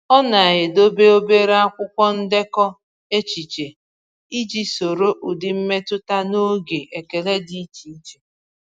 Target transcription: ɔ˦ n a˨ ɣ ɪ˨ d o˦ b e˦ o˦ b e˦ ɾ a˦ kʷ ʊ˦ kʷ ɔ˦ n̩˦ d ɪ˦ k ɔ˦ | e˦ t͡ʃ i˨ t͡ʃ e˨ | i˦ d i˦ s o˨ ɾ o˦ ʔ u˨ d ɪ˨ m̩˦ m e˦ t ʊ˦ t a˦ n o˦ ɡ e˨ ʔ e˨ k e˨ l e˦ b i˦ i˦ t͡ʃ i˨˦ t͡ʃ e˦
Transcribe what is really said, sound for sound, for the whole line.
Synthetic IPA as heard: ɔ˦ n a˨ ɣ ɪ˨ d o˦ b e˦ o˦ b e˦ ɾ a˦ kʷ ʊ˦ kʷ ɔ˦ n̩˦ d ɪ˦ k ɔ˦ | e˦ t͡ʃ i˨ t͡ʃ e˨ | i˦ d͡ʒ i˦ s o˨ ɾ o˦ ʔ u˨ d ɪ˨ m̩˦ m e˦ t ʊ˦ t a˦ n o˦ ɡ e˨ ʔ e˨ k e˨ l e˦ d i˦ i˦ t͡ʃ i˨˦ t͡ʃ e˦